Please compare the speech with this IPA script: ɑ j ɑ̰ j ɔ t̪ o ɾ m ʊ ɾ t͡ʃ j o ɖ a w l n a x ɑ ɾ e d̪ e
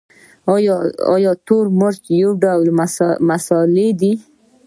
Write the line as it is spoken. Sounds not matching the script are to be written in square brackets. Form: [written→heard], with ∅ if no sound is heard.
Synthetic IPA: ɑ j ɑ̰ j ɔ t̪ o ɾ m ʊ ɾ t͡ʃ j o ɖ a w l [n→m] a [x→s] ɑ [ɾ→l] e d̪ [e→i]